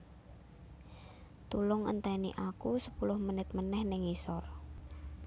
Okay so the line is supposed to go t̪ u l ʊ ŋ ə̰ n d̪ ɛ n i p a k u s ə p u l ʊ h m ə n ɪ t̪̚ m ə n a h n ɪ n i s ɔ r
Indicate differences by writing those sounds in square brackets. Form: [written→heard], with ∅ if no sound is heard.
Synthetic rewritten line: t̪ u l ʊ ŋ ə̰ n [d̪→t̪] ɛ n i [p→ʔ] a k u s ə p u l ʊ h m ə n ɪ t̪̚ m ə n [a→ɛ] h n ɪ [n→ŋ] i s ɔ r